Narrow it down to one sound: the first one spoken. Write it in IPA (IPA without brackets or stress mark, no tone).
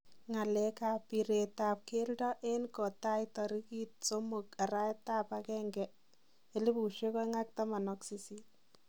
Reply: ŋ